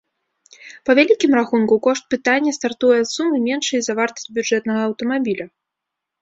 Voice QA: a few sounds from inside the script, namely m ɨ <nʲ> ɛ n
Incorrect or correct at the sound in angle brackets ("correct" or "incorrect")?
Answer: incorrect